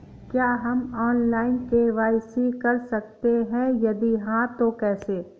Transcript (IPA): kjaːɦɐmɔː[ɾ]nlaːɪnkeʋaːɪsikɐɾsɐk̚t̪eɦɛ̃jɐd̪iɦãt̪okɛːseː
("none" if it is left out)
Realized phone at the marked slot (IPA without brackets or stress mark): none